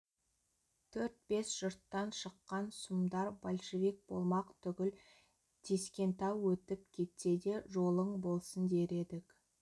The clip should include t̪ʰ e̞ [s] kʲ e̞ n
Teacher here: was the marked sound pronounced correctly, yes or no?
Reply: yes